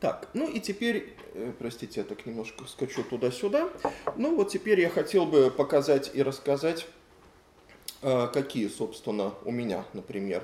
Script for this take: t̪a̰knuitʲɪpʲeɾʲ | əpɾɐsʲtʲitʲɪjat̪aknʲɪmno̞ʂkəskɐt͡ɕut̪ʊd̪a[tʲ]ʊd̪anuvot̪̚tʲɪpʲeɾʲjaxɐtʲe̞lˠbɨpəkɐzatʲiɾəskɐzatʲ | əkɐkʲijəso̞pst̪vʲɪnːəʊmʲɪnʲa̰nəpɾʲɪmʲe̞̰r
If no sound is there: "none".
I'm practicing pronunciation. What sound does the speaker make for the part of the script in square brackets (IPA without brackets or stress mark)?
sʲ